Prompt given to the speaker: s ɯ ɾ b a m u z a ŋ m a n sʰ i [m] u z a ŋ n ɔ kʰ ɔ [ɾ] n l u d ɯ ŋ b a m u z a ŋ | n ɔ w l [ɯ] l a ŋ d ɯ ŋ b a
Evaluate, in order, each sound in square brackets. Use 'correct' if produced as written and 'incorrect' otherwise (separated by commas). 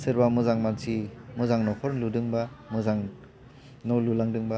correct, correct, incorrect